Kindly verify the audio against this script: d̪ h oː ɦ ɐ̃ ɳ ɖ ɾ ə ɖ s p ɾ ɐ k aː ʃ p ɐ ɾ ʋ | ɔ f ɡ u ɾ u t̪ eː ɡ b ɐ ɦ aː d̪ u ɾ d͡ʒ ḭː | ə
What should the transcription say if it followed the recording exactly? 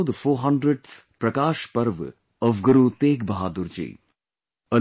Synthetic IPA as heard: d̪ f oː ɦ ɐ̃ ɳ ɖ ɾ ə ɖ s p ɾ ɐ k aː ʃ p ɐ ɾ ʋ | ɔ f ɡ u ɾ u t̪ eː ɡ b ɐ ɦ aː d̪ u ɾ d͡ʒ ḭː | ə